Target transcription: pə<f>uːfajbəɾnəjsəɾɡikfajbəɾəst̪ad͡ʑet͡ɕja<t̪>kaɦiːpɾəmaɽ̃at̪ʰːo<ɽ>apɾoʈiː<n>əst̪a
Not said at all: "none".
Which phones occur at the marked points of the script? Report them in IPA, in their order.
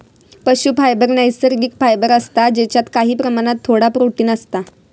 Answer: ɕ, t̪, ɽ, n

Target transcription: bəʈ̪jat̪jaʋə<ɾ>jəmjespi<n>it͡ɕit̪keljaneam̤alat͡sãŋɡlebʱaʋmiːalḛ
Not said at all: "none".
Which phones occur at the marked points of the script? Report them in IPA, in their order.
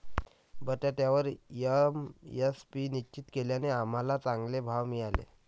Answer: ɾ, n

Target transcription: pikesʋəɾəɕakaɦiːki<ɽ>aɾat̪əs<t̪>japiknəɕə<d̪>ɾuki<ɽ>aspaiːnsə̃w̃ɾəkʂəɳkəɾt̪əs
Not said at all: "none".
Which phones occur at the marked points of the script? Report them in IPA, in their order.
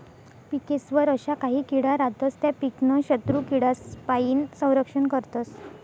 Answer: ɽ, t̪, t̪, ɽ

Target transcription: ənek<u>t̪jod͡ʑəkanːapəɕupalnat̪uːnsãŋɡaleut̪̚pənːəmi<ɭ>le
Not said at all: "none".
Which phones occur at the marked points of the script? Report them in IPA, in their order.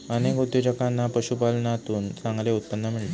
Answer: u, ɭ

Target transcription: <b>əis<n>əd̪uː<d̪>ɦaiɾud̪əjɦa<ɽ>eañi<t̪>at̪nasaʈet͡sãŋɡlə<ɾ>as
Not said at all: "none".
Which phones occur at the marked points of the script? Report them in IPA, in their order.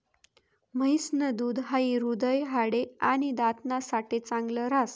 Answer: m, n, d̪, ɽ, d̪, ɾ

